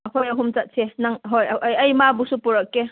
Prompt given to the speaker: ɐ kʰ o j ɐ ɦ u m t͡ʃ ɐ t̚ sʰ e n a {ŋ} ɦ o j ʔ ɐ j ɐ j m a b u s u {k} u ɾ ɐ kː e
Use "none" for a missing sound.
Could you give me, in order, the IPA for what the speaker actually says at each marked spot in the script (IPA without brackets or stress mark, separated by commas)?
ŋ, p